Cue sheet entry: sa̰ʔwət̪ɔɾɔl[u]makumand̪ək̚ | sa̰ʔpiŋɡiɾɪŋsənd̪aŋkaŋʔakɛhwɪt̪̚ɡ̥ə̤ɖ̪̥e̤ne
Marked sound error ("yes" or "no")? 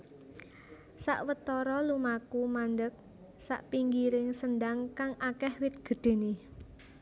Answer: no